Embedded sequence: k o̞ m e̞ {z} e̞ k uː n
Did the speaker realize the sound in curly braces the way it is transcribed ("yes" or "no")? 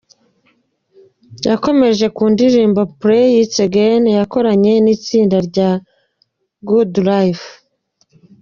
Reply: no